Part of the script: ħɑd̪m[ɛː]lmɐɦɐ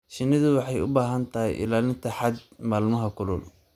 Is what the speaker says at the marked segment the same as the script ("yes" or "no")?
no